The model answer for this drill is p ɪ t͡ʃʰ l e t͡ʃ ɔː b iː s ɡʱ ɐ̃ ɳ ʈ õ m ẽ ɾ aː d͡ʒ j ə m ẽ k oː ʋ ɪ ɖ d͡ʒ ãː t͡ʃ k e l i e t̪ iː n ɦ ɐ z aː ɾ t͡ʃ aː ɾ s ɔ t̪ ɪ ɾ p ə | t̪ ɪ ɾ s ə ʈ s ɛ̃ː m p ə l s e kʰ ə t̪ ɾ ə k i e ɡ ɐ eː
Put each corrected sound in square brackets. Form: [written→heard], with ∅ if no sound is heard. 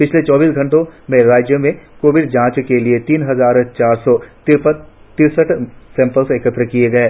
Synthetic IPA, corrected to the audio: p ɪ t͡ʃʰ l e t͡ʃ ɔː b iː s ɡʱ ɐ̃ ɳ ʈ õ m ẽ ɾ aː d͡ʒ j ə m ẽ k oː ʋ ɪ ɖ d͡ʒ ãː t͡ʃ k e l i e t̪ iː n ɦ ɐ z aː ɾ t͡ʃ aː ɾ s ɔ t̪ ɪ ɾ p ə | t̪ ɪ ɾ s ə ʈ s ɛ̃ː m p ə l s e [kʰ→k] ə t̪ ɾ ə k i e ɡ ɐ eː